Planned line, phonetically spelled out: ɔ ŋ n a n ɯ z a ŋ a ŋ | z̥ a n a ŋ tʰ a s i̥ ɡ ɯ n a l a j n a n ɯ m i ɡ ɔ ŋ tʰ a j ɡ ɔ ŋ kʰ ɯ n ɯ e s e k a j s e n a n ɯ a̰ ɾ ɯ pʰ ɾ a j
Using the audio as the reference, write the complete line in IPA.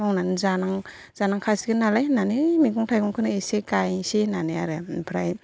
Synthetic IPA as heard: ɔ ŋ n a n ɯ z a n a ŋ | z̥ a n a ŋ kʰ a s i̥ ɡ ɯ n a l a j n a n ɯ m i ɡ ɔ ŋ tʰ a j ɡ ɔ ŋ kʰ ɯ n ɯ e s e k a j s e n a n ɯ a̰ ɾ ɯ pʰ ɾ a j